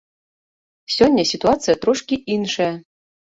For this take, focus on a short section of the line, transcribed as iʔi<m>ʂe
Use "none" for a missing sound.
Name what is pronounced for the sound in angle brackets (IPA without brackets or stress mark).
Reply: n